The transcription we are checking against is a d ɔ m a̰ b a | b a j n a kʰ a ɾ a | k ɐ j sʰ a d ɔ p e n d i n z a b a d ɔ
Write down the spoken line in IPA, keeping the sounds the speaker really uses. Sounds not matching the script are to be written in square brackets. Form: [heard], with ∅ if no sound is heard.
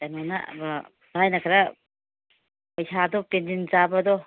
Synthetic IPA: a [n] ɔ [n] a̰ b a | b a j n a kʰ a ɾ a | [p] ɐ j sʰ a d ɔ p e n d i n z a b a d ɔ